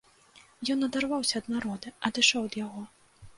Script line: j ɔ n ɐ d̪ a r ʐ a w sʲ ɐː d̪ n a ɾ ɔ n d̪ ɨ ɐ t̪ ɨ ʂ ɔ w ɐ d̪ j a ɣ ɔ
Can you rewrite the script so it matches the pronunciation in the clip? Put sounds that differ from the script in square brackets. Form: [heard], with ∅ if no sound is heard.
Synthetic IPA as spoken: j ɔ n ɐ d̪ a r [v] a w sʲ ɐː d̪ n a ɾ ɔ [∅] d̪ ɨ ɐ [d̪] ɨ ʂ ɔ w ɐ d̪ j a ɣ ɔ